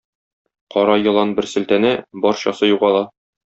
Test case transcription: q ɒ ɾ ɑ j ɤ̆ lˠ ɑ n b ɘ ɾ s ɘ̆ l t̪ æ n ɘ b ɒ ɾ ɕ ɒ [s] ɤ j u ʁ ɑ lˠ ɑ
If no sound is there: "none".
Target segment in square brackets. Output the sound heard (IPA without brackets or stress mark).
s